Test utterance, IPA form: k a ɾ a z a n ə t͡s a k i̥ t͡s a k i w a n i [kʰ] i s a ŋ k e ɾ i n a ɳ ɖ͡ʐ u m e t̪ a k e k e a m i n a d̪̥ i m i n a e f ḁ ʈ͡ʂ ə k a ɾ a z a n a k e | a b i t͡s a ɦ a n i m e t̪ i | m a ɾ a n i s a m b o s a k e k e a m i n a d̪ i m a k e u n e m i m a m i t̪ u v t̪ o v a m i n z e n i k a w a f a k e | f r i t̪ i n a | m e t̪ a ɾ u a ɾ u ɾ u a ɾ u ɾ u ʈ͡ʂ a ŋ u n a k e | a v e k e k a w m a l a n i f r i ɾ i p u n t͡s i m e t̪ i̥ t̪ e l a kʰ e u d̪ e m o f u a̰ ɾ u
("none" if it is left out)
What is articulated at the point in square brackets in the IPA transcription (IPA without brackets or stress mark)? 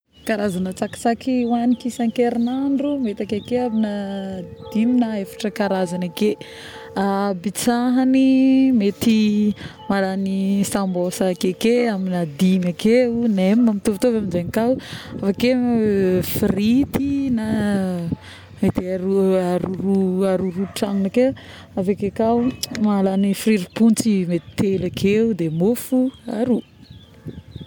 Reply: k